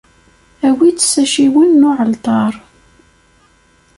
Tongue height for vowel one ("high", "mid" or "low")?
low